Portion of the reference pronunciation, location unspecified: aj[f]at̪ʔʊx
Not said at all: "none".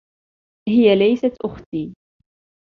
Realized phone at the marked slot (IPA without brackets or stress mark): s